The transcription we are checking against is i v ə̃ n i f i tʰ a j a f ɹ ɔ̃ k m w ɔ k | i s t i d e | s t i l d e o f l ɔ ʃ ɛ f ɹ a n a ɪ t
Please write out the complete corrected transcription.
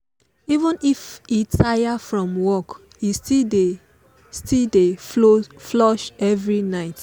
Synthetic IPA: i v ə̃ n i f i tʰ a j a f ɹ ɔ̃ m w ɔ k | i s t i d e | s t i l d e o f l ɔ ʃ ɛ v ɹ i n a ɪ t